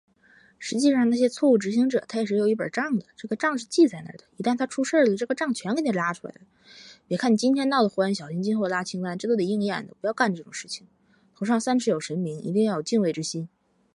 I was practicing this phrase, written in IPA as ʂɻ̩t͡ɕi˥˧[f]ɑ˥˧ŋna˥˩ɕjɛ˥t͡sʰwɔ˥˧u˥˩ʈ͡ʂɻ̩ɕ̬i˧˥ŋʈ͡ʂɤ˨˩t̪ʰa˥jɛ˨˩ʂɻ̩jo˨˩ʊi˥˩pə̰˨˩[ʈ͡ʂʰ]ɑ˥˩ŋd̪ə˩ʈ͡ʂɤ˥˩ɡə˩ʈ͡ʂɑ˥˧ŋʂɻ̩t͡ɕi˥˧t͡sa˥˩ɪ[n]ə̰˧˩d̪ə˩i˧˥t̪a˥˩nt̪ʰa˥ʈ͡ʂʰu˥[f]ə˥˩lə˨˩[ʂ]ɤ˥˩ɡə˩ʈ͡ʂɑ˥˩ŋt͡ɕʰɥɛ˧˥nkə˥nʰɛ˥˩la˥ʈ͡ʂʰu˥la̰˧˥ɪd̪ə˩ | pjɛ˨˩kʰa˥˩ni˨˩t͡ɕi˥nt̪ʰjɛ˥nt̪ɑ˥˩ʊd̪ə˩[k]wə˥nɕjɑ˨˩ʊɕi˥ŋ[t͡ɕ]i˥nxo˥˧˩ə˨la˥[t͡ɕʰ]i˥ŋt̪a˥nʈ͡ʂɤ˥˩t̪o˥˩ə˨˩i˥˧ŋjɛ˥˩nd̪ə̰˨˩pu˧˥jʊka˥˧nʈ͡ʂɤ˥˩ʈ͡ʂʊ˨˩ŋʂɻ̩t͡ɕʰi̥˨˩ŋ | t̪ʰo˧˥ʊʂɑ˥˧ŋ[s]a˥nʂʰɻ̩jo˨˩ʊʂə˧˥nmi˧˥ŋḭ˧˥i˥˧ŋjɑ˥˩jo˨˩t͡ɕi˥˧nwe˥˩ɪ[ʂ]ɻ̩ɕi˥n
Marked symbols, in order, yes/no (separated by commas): no, no, yes, no, no, no, yes, yes, yes, no